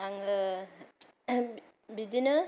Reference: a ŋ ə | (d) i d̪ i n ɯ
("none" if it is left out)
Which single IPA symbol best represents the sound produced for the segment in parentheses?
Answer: b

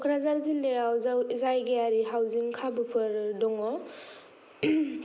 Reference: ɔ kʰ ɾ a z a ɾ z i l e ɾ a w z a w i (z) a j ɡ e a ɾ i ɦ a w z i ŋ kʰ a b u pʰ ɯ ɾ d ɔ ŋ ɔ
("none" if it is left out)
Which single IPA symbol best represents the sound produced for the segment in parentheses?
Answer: z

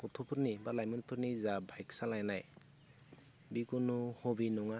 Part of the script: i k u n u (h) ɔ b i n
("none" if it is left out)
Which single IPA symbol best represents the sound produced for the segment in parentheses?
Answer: h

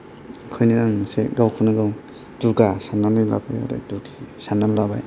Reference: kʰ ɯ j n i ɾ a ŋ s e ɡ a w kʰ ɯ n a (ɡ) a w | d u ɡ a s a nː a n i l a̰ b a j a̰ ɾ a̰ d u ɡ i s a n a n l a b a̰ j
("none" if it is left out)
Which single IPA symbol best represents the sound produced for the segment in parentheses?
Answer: ɡ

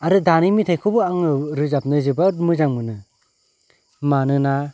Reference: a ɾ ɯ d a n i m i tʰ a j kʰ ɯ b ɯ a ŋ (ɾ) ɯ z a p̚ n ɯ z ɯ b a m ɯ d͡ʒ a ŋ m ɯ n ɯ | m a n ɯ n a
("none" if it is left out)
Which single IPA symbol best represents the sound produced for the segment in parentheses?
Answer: ɾ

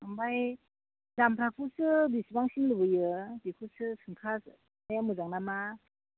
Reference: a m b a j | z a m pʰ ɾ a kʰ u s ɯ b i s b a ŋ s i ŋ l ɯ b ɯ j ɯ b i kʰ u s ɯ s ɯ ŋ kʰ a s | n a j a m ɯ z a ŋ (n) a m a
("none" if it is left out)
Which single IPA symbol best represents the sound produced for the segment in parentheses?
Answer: n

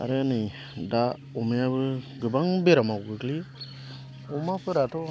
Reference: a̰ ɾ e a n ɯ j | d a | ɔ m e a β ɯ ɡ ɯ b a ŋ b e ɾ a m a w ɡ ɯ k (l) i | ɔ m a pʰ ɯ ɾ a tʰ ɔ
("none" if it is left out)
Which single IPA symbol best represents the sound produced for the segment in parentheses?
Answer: l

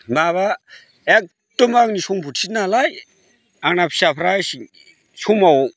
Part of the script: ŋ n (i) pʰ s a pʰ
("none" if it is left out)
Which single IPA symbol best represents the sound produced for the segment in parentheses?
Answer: a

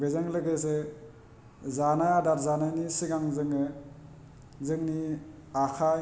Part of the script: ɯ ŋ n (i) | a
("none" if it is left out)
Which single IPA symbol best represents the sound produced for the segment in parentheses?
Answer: i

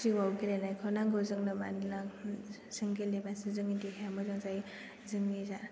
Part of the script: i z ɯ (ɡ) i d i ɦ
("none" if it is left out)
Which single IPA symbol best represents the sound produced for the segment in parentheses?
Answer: ŋ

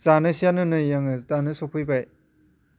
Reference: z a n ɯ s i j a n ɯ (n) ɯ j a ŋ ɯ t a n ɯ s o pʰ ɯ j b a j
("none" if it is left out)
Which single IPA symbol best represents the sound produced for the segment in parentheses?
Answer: n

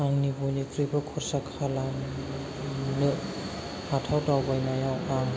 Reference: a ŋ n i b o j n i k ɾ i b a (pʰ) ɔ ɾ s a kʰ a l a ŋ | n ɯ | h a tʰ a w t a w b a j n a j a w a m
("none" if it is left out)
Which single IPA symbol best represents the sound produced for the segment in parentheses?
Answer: kʰ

